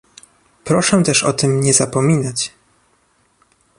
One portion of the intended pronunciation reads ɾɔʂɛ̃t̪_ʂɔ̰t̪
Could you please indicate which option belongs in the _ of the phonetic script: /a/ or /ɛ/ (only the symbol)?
ɛ